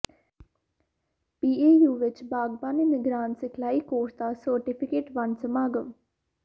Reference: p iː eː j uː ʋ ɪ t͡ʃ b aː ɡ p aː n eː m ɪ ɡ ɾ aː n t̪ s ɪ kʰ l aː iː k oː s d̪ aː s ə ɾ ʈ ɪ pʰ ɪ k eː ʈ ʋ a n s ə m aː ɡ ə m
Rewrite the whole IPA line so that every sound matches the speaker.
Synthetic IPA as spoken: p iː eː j uː ʋ ɪ t͡ʃ b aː ɡ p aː n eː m ɪ ɡ ɾ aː n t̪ s ɪ kʰ l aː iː k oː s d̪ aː s ə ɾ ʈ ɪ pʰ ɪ k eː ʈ ʋ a n s ə m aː ɡ ə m

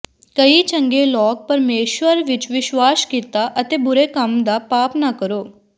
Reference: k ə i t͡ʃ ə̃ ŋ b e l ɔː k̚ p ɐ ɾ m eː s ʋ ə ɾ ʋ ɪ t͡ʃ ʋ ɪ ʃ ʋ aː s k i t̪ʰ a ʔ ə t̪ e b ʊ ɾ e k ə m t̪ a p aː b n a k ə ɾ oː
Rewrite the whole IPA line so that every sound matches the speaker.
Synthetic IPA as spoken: k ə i t͡ʃ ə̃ ŋ ɡ e l ɔː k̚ p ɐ ɾ m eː ʃ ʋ ə ɾ ʋ ɪ t͡ʃ ʋ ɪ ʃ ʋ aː s k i t̪ a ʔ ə t̪ e b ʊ ɾ e k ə m d̪ a p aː p n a k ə ɾ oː

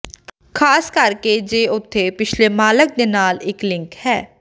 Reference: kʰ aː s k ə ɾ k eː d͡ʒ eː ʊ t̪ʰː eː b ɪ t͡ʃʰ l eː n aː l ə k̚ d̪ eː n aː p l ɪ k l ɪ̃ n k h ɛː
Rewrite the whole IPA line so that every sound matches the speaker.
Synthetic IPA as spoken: kʰ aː s k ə ɾ k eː d͡ʒ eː ʊ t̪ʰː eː p ɪ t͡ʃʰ l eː m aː l ə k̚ d̪ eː n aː l ɪ k l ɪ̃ ŋ k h ɛː

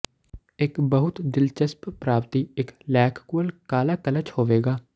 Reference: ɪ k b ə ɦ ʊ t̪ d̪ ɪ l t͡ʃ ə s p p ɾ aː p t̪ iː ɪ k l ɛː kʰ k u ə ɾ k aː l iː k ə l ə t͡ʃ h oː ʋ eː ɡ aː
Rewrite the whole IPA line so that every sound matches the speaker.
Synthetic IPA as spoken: ɪ k b ə ɦ ʊ t̪ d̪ ɪ l t͡ʃ ə s p p ɾ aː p t̪ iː ɪ k l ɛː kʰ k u ə l k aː l aː k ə l ə t͡ʃ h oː ʋ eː ɡ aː

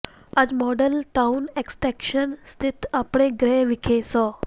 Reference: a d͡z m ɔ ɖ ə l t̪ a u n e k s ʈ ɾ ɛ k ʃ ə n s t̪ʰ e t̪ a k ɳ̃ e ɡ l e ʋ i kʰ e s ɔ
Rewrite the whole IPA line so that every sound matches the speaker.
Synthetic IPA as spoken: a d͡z m ɔ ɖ ə l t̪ a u n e k s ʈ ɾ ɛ k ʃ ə n s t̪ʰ i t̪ a p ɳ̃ e ɡ ɾ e ʋ i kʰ e s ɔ

